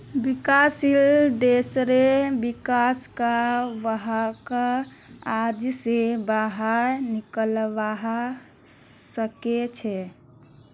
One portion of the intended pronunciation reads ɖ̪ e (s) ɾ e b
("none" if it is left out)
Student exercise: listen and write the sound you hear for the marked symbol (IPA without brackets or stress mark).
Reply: s